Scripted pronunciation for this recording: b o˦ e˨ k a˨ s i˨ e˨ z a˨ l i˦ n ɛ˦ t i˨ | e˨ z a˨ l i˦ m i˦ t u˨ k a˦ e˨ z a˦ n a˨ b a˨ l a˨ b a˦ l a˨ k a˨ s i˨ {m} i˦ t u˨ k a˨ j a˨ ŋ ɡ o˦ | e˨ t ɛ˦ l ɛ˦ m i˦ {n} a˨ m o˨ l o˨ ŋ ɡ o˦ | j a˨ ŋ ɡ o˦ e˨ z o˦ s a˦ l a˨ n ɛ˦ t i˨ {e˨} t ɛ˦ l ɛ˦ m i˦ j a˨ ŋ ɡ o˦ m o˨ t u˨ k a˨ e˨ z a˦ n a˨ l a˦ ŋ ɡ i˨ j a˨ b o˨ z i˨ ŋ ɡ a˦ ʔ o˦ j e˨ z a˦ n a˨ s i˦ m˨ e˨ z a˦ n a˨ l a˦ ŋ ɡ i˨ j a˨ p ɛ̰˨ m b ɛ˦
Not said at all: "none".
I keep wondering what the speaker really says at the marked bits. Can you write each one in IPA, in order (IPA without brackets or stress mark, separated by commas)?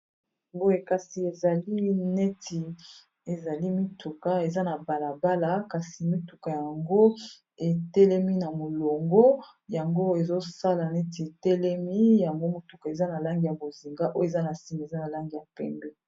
m, n, e˨